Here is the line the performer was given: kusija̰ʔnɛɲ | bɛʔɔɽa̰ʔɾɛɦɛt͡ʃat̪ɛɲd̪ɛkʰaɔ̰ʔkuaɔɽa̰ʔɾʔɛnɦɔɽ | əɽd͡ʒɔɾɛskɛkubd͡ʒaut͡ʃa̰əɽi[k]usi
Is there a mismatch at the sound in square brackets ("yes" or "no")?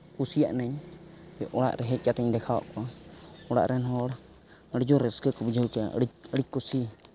no